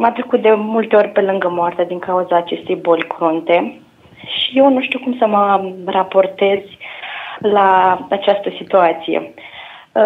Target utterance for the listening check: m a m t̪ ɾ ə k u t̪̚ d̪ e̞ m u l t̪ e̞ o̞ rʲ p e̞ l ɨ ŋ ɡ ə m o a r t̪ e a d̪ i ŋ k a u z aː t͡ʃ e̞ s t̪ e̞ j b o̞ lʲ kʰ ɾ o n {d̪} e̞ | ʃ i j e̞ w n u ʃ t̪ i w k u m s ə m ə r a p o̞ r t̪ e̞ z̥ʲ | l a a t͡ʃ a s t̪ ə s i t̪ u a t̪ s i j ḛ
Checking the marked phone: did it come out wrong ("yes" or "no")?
yes